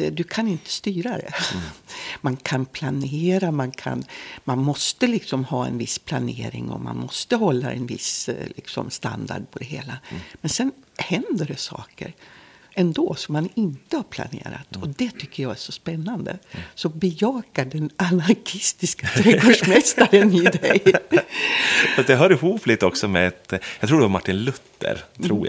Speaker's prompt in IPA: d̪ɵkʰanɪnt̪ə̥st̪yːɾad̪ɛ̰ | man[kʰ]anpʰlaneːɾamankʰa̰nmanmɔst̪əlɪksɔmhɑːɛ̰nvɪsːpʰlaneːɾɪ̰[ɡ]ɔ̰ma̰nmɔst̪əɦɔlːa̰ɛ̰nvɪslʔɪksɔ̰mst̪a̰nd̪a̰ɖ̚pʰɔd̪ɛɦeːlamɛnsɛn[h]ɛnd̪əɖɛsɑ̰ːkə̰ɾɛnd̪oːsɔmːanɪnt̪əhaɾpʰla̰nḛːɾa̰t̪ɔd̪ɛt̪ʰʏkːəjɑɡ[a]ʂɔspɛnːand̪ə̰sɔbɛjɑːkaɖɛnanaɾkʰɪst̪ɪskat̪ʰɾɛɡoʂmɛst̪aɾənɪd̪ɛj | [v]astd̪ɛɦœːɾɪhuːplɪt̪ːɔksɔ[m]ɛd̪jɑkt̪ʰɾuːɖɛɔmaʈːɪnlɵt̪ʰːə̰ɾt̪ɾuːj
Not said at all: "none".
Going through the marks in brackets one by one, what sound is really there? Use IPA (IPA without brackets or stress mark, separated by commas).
kʰ, ŋ, h, æ, f, m